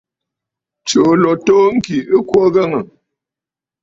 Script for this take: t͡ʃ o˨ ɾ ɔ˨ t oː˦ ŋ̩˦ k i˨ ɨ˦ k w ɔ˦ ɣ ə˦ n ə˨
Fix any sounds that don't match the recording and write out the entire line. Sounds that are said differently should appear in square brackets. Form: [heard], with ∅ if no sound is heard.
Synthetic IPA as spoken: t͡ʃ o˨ [l] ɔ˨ t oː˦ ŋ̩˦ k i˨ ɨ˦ k w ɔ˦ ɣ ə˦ [ŋ] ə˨

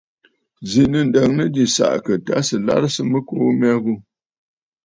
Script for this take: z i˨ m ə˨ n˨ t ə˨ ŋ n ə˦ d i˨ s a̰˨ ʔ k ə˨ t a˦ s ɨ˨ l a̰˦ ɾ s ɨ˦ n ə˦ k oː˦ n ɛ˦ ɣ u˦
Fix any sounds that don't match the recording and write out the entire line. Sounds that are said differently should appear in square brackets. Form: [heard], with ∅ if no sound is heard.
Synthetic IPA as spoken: z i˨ [n] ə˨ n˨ [d] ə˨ ŋ n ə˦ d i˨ s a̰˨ ʔ k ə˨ t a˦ s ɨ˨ l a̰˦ ɾ s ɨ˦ [m] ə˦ k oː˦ [m] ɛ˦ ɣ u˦

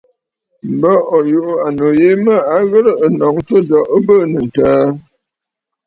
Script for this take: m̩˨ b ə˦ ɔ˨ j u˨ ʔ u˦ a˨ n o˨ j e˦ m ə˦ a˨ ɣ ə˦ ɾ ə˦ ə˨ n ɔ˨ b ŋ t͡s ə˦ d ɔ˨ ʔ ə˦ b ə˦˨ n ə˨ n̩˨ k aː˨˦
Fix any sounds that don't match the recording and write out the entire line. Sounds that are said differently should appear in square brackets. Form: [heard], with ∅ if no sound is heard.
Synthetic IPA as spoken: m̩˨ b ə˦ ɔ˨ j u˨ ʔ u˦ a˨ n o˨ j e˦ m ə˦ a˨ ɣ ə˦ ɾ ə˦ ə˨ n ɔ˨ [∅] ŋ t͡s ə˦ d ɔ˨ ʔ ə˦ b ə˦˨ n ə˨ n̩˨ [t] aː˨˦

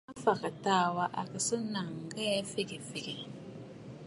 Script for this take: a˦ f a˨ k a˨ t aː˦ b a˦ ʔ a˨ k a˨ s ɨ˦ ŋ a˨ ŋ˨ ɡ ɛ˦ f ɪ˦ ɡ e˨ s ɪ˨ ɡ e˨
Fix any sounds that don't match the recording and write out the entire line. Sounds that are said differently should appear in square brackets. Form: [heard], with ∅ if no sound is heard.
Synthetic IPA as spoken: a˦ f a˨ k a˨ t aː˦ [w] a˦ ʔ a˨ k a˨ s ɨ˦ [n] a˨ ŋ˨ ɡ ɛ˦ f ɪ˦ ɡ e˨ [f] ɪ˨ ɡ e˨

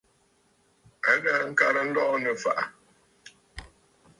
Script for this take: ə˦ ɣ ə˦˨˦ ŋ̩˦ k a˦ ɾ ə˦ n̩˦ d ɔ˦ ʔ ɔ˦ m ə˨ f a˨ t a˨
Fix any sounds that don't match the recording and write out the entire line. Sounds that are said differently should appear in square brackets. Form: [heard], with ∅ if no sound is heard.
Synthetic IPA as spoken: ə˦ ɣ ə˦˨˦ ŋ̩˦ k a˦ ɾ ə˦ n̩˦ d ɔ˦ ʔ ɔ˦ [n] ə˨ f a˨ [ʔ] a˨

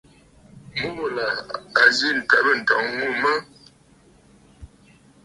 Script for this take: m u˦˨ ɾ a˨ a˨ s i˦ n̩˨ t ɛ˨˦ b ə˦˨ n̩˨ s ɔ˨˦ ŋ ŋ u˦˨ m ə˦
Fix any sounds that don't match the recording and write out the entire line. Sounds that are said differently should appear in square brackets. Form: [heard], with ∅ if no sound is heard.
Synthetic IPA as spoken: m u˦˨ [l] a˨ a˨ [z] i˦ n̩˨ t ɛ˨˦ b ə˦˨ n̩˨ [t] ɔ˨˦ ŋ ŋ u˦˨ m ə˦

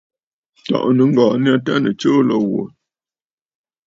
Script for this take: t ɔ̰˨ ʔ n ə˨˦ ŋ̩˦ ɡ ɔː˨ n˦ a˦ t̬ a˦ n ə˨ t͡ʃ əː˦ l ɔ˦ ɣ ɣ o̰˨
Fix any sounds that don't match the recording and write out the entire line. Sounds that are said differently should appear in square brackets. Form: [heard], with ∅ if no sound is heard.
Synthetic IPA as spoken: t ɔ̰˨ ʔ n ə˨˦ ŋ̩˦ ɡ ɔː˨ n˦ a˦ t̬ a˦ n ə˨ t͡ʃ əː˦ l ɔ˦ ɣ [w] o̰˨

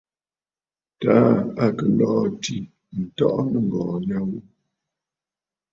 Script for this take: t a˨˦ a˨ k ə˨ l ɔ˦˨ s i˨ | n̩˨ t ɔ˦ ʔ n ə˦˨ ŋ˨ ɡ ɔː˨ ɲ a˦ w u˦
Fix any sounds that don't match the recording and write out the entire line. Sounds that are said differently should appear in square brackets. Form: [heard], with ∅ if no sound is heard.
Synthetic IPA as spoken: t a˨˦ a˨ k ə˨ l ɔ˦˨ [t] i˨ | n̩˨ t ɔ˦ ʔ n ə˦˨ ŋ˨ ɡ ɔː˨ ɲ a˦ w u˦

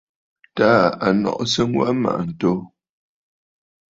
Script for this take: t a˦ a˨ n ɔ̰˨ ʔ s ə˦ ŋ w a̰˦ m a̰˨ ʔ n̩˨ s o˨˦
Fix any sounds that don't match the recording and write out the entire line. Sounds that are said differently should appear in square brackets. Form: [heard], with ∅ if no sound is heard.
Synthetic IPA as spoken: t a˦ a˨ n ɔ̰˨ ʔ s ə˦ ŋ w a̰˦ m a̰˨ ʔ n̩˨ [t] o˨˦

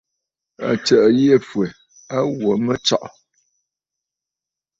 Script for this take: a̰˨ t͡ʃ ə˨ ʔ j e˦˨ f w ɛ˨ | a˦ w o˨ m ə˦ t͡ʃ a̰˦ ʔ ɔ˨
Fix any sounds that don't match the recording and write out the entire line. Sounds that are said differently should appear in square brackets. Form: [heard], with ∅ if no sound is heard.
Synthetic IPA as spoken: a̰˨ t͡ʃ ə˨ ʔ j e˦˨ f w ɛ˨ | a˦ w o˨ m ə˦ t͡ʃ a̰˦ ʔ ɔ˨

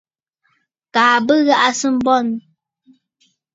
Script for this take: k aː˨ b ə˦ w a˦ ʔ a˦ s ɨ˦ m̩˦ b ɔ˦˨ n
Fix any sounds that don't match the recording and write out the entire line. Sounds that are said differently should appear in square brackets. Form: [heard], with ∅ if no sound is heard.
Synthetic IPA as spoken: k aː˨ b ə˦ [ɣ] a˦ ʔ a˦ s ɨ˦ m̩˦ b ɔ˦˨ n

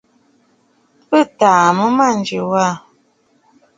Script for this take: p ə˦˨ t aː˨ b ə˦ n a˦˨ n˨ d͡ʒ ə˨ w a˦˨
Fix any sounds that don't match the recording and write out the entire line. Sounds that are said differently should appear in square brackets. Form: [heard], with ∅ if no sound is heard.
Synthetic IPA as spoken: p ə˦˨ t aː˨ [m] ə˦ [m] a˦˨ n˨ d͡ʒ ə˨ w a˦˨

